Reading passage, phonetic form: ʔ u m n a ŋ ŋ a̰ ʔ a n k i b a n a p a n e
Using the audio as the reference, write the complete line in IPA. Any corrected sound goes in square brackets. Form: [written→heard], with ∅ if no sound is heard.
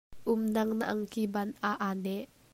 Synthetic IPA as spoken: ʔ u m n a ŋ [ŋ→n] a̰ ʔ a [n→ŋ] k i b a n a [p→ʔ] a n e